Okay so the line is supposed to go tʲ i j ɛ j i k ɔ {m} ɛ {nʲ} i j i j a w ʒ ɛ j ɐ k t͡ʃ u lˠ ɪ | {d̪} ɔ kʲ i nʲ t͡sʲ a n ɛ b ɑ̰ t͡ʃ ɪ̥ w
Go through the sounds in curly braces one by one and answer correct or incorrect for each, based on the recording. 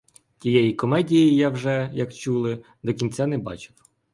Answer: correct, incorrect: dʲ, correct

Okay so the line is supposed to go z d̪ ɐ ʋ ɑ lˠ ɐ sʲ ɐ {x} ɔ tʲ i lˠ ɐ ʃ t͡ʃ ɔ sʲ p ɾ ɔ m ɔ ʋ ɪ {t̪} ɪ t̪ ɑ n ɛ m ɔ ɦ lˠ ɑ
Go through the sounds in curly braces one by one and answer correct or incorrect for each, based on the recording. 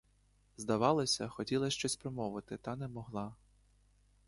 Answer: correct, correct

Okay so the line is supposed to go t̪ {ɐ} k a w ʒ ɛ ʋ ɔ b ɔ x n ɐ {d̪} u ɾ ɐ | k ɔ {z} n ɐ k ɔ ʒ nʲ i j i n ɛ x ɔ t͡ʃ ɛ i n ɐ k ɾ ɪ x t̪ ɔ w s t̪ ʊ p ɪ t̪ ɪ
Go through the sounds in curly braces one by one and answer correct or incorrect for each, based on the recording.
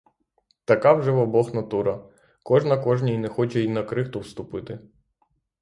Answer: correct, incorrect: t̪, incorrect: ʒ

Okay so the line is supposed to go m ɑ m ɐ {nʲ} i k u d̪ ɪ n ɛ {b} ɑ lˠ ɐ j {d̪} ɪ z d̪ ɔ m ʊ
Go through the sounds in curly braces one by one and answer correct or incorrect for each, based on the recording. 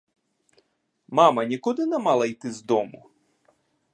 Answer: correct, incorrect: m, incorrect: t̪

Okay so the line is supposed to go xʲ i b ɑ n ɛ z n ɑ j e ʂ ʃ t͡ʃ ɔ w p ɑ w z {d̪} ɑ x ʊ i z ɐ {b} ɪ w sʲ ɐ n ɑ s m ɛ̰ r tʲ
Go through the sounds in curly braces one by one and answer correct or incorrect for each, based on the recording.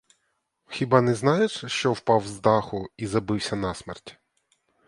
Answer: correct, correct

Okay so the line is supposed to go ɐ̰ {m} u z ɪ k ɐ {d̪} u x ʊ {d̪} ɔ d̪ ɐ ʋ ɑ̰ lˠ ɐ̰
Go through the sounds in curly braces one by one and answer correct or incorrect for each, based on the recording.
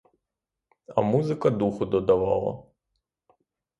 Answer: correct, correct, correct

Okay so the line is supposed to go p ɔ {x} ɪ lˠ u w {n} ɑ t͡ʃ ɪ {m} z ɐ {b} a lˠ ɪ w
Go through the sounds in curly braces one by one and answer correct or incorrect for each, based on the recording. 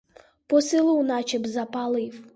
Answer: incorrect: s, correct, incorrect: b, incorrect: p

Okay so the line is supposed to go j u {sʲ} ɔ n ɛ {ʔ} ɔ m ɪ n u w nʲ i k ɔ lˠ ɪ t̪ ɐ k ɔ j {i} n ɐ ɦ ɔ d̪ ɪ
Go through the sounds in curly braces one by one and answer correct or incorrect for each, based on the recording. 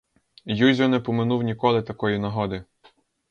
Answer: incorrect: zʲ, incorrect: p, correct

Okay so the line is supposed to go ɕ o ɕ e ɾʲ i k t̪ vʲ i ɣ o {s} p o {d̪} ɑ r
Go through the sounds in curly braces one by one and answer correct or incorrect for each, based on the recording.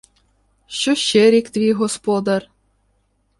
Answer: correct, correct

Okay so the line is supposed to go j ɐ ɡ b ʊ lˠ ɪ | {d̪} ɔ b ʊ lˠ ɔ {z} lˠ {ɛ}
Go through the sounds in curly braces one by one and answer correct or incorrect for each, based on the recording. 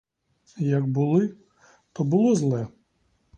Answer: incorrect: t̪, correct, correct

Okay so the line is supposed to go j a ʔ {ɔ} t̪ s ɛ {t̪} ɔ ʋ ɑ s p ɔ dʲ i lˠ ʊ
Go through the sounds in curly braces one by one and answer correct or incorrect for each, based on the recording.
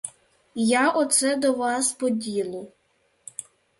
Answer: correct, incorrect: d̪

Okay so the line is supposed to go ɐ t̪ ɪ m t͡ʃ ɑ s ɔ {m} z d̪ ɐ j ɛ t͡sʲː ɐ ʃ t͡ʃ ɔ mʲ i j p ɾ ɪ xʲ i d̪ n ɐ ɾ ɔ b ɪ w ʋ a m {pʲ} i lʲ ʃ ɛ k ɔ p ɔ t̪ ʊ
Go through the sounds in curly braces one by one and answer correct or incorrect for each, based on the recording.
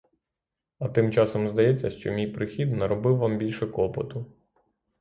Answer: correct, incorrect: bʲ

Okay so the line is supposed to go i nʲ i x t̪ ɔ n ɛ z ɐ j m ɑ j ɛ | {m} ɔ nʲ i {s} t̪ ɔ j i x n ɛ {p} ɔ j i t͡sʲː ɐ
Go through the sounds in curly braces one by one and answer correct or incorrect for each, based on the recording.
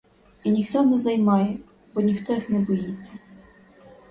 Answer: incorrect: b, incorrect: x, incorrect: b

